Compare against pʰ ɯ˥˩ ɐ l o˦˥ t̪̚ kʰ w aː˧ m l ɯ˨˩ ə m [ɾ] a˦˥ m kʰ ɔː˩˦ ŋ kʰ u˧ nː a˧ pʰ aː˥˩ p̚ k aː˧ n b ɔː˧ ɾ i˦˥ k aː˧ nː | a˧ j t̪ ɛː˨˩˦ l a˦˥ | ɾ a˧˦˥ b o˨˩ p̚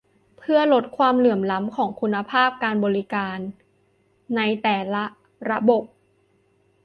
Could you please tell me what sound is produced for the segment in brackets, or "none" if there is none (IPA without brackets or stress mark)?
l